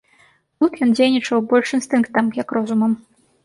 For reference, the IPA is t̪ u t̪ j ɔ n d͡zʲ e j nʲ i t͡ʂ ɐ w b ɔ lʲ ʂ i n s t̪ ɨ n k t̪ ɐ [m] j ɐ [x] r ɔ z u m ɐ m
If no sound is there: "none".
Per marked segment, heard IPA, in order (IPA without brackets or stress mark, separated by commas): m, k